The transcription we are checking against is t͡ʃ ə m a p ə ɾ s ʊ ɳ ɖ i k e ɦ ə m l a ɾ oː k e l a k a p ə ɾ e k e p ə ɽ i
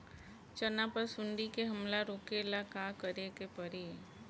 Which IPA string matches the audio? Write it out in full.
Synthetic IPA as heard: t͡ʃ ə n a p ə ɾ s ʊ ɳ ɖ i k e ɦ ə m l a ɾ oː k e l a k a k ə ɾ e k e p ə ɾ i